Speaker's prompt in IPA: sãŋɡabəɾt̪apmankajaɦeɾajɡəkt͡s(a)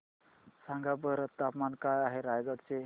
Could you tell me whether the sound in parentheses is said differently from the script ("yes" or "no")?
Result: yes